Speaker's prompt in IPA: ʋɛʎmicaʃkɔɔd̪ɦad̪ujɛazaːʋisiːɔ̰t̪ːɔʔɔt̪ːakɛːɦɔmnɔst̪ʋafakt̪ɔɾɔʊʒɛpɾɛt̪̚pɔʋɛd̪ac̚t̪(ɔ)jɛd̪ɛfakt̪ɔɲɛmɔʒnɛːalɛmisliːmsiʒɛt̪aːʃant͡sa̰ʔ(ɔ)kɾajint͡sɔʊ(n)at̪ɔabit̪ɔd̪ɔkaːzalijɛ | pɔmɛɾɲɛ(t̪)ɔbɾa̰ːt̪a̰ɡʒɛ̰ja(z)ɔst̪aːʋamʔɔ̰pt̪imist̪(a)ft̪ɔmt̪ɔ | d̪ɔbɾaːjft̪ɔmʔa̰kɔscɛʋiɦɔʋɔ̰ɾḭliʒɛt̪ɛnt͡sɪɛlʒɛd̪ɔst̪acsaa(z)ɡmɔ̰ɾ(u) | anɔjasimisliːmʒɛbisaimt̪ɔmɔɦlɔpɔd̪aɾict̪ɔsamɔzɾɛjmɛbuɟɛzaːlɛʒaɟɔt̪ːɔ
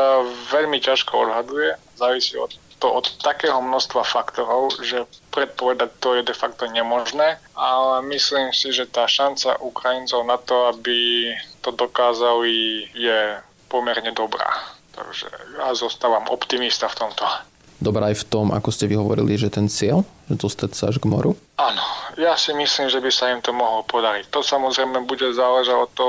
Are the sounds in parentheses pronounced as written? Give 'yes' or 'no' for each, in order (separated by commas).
yes, no, yes, no, yes, yes, no, yes